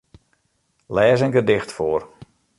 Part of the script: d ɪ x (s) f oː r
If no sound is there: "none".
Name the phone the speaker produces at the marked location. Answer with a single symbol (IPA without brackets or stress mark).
t